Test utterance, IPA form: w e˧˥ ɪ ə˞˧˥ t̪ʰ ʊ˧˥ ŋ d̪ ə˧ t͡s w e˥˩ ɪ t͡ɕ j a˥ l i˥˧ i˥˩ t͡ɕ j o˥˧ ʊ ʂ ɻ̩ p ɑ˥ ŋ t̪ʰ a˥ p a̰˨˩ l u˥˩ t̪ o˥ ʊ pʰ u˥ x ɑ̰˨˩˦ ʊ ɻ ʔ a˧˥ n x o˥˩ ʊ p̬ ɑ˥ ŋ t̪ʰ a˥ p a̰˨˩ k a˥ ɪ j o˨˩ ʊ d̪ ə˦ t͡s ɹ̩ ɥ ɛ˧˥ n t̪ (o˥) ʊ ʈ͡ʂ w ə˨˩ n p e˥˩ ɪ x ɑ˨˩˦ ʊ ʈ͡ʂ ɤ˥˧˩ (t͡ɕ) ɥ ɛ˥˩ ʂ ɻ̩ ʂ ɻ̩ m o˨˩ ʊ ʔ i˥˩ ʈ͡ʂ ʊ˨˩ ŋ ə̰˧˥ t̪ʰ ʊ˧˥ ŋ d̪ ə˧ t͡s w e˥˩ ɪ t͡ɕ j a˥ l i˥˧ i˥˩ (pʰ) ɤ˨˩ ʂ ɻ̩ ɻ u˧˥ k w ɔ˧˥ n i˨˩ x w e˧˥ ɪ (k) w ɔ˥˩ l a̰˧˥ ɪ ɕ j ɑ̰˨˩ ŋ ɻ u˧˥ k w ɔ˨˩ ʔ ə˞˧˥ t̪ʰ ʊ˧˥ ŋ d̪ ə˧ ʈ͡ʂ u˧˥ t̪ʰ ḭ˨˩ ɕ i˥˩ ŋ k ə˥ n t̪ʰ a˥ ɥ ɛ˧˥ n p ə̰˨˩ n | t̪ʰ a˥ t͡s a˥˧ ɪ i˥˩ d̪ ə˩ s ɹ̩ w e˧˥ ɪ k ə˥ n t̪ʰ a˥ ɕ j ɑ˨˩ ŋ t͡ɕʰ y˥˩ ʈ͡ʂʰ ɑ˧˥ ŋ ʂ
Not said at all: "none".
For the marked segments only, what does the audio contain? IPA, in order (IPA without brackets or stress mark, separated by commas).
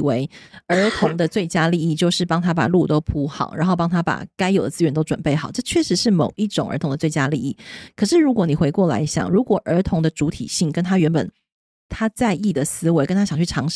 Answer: o˥, t͡ɕʰ, kʰ, k